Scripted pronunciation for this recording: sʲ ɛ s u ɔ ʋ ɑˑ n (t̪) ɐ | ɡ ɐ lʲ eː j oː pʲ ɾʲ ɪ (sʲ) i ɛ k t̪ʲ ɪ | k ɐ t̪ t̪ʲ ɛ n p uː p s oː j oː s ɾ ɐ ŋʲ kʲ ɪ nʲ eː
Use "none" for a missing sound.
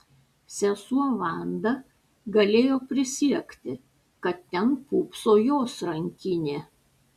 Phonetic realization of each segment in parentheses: d̪, sʲ

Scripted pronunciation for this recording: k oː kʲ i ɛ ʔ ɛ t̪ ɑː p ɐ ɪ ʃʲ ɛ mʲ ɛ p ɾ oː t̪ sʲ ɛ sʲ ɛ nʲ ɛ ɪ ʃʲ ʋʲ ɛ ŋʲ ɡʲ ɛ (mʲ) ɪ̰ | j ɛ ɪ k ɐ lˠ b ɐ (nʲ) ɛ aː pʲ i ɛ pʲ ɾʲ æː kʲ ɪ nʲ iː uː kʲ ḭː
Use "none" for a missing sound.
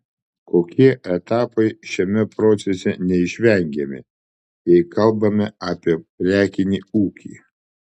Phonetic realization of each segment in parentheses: mʲ, mʲ

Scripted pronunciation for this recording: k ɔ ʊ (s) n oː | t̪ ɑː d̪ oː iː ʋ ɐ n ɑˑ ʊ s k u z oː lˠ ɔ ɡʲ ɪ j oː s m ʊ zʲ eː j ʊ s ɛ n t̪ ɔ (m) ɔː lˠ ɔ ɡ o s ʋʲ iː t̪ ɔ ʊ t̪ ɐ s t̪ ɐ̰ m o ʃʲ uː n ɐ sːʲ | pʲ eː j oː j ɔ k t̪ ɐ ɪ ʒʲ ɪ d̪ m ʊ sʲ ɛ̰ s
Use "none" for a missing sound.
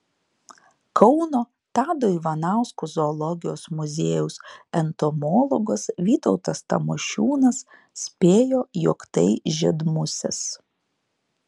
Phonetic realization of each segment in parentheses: none, m

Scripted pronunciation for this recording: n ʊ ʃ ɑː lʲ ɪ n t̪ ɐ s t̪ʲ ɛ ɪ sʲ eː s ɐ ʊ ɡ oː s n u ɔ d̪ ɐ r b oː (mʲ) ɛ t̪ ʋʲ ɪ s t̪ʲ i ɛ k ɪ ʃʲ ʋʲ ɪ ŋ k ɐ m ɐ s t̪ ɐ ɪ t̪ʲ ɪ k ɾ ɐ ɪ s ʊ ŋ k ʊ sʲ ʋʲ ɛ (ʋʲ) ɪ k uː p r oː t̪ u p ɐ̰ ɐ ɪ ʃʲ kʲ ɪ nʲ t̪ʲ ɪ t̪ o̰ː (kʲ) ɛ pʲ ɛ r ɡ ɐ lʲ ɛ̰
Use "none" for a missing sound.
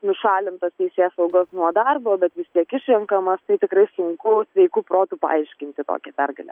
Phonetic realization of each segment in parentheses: bʲ, none, kʲ

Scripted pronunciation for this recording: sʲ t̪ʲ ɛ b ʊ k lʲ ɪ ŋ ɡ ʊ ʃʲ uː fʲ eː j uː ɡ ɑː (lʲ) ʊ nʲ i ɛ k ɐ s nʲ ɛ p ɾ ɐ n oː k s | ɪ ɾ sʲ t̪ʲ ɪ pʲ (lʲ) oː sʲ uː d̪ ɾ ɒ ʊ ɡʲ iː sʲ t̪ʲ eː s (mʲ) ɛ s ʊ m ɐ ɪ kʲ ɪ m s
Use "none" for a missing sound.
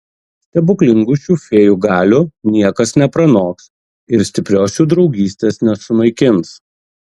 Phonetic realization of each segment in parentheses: lʲ, ɾʲ, nʲ

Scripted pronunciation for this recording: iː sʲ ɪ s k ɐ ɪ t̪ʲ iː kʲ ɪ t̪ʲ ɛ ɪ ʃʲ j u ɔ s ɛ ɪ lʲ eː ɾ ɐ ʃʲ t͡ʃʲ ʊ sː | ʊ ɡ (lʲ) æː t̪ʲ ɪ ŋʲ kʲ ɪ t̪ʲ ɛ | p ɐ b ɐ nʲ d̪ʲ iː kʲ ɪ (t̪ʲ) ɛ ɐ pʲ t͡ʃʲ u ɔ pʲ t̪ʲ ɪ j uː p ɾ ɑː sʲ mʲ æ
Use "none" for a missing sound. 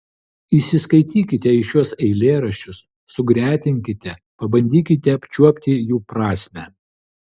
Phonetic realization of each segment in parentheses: ɾʲ, t̪ʲ

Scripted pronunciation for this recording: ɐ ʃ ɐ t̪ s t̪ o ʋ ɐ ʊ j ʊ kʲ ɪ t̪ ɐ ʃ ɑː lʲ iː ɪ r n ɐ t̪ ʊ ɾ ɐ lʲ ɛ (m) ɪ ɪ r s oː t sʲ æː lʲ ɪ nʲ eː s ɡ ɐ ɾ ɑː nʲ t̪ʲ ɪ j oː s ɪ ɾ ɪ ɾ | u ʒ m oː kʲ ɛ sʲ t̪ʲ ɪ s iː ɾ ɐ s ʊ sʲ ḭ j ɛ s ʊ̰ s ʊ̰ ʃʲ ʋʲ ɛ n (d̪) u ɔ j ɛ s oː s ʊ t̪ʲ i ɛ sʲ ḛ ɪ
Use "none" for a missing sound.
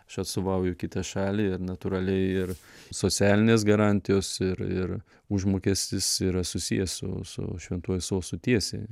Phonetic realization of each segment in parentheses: none, t̪

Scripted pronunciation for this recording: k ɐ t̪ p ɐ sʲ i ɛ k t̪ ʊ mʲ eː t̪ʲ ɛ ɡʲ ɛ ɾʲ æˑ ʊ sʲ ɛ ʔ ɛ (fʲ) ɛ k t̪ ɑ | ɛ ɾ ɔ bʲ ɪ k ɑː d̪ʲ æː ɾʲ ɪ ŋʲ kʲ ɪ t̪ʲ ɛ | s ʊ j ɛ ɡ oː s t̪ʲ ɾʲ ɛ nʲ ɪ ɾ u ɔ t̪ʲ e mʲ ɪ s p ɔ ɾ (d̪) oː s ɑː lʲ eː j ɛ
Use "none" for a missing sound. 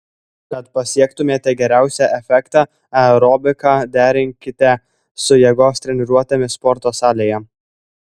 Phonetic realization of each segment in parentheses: fʲ, t̪

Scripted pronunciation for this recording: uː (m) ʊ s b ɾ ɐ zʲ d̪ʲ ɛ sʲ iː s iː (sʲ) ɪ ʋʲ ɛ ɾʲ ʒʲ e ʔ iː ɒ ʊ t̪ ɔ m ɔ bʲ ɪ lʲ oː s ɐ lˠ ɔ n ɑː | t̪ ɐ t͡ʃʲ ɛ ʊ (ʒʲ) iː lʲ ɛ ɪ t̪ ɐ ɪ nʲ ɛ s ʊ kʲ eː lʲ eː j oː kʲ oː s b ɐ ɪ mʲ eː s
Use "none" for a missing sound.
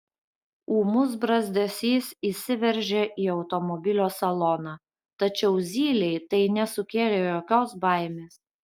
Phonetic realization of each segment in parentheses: m, sʲ, zʲ

